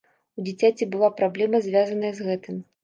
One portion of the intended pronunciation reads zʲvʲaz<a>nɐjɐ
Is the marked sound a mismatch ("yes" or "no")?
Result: yes